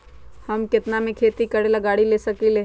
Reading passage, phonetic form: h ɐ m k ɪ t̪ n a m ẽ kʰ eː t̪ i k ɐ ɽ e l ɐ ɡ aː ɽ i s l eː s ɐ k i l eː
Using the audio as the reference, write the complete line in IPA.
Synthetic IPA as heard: h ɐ m k ɪ t̪ n a m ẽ kʰ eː t̪ i k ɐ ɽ e l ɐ ɡ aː ɽ i l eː s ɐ k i l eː